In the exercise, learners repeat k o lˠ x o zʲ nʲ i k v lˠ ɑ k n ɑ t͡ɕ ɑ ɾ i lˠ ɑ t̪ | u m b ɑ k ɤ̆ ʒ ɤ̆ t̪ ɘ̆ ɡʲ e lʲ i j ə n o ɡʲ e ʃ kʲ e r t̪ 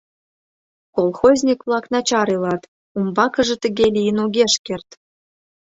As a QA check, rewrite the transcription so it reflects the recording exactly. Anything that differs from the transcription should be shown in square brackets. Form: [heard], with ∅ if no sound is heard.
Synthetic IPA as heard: k o lˠ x o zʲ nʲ i k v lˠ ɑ k n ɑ t͡ɕ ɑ ɾ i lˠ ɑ t̪ | u m b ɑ k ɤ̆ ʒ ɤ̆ t̪ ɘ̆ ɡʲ e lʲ i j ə n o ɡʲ e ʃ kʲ e r t̪